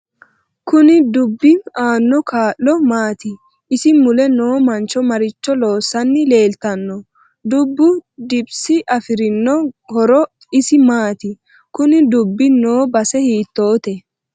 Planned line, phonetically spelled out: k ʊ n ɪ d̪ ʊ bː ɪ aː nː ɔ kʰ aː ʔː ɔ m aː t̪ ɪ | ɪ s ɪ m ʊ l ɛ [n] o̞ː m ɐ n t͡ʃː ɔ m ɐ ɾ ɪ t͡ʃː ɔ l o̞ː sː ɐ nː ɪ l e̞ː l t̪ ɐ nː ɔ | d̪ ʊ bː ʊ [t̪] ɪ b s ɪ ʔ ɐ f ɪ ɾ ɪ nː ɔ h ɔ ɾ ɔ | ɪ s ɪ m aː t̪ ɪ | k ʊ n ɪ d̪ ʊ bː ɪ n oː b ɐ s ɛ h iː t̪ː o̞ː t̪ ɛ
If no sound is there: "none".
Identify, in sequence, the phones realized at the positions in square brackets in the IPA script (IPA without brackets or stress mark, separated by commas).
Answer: n, d̪